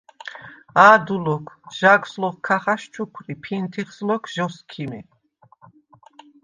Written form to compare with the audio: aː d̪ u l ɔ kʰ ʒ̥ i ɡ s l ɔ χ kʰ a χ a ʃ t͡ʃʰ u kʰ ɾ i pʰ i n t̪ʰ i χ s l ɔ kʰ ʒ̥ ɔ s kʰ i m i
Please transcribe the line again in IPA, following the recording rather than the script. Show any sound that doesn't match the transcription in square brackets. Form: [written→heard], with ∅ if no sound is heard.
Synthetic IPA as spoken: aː d̪ u l ɔ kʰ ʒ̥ [i→a] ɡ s l ɔ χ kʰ a χ a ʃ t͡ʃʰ u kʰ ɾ i pʰ i n t̪ʰ i χ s l ɔ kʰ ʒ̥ ɔ s kʰ i m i